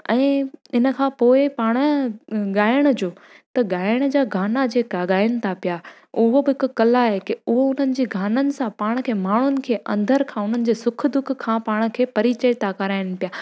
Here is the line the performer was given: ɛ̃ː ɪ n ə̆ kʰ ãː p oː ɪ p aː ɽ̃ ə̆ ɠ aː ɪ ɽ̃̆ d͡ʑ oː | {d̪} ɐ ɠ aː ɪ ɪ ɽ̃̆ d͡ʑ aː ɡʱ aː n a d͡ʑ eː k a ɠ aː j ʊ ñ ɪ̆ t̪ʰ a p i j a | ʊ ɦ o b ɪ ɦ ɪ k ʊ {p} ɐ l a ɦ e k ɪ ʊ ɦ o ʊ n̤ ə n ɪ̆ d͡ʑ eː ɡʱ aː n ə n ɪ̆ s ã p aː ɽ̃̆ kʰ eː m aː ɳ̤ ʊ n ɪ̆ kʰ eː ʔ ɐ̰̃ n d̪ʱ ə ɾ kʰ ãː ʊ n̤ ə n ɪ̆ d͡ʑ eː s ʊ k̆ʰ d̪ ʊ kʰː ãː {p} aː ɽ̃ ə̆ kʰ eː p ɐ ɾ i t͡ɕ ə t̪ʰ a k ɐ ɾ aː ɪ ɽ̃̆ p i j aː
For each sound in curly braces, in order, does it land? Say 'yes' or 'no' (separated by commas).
no, no, yes